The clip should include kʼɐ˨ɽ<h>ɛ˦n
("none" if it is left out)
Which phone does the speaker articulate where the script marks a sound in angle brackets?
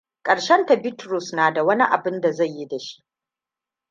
ʃ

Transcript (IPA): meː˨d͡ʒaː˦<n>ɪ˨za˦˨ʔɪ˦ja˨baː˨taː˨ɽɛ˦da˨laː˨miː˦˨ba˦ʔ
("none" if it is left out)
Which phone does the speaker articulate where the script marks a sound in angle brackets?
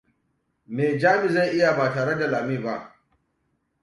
m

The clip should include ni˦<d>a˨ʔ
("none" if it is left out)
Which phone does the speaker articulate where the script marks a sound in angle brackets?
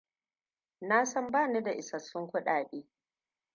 d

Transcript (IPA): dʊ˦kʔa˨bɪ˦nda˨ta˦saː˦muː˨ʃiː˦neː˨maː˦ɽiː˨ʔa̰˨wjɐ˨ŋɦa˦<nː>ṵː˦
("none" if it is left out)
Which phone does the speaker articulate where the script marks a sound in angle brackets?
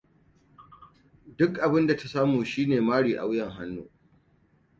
nː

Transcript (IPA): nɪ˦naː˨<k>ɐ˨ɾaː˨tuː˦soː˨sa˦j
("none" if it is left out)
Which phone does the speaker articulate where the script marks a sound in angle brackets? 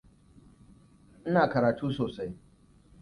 k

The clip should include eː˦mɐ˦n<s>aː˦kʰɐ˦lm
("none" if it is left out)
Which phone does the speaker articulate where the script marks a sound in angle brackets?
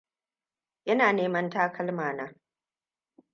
t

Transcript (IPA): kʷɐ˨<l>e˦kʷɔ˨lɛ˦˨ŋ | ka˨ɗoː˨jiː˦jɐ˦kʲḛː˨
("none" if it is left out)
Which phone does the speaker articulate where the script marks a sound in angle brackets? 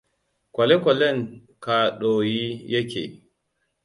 l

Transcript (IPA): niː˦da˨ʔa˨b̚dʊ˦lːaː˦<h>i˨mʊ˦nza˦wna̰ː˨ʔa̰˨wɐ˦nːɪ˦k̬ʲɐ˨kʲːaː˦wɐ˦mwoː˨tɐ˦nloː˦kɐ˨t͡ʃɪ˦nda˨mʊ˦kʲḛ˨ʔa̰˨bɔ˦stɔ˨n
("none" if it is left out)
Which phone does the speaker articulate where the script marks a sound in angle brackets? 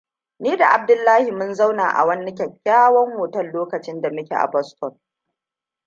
h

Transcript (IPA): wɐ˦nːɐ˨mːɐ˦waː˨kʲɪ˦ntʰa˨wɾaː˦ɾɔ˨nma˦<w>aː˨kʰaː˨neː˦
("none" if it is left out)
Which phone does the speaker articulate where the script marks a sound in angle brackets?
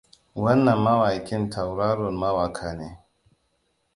w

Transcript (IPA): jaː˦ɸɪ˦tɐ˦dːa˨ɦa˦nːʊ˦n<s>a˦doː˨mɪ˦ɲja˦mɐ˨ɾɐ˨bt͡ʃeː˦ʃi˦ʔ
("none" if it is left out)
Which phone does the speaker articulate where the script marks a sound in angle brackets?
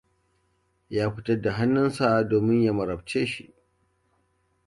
s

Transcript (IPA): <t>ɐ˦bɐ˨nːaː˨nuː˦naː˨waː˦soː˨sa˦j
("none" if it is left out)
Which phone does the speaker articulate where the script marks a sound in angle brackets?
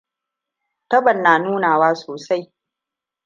t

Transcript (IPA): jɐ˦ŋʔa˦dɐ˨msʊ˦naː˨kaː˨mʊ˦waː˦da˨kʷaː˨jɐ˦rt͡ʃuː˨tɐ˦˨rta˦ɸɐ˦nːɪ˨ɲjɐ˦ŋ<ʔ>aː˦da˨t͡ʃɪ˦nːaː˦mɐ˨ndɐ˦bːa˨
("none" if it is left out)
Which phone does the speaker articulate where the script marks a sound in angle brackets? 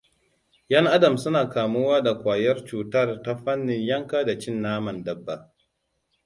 k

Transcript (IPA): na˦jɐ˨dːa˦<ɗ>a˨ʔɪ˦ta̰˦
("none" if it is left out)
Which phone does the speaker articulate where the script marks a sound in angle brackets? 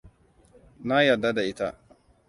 d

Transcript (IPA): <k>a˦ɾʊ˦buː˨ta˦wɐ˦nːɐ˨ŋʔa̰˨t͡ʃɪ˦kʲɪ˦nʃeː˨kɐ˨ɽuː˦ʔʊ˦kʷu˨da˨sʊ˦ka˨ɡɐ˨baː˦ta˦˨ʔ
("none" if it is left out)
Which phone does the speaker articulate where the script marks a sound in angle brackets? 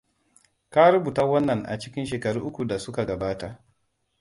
k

